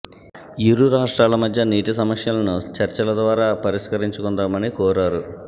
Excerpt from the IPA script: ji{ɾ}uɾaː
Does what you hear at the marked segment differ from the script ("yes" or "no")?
no